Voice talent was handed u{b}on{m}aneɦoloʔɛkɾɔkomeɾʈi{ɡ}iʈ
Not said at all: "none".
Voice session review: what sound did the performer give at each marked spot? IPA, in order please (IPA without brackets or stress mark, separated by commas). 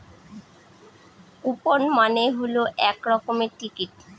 p, m, k